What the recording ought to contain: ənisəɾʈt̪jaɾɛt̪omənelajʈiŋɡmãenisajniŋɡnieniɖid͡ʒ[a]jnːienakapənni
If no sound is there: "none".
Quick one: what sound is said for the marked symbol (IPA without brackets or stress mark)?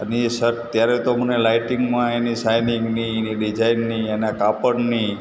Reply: a